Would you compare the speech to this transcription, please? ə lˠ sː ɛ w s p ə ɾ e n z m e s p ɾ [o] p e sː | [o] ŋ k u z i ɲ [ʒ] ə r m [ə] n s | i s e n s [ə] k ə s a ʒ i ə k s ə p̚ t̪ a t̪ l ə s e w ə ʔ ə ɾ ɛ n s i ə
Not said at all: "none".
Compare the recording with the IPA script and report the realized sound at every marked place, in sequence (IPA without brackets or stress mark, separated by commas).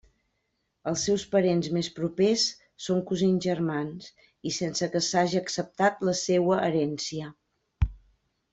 u, o, ʒ, a, ə